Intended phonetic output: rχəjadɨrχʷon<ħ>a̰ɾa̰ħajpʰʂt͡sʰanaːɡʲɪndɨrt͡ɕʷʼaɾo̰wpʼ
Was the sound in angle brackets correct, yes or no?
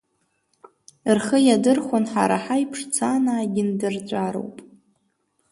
yes